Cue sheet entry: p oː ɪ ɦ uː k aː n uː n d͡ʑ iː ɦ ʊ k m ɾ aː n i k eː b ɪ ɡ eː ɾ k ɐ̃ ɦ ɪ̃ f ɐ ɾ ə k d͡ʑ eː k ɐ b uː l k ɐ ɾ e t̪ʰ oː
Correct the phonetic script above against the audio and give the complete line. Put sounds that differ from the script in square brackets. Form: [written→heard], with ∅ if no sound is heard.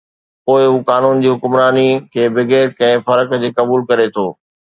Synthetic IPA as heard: p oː ɪ ɦ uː k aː n uː n d͡ʑ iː ɦ ʊ k m ɾ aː n i [k→kʰ] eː b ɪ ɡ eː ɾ k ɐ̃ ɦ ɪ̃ f ɐ ɾ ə k d͡ʑ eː k ɐ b uː l k ɐ ɾ e t̪ʰ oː